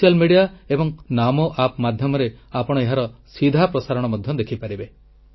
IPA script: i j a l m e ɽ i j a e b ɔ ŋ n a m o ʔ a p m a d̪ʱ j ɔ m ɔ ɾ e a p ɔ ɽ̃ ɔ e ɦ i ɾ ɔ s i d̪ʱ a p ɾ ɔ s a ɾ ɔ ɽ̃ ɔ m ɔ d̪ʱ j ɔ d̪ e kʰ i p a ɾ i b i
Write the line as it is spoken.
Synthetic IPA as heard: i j a l m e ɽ i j a e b ɔ ŋ n a m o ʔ a p m a d̪ʱ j ɔ m ɔ ɾ e a p ɔ ɽ̃ ɔ e ɦ a ɾ ɔ s i d̪ʱ a p ɾ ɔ s a ɾ ɔ ɽ̃ ɔ m ɔ d̪ʱ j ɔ d̪ e kʰ i p a ɾ i b e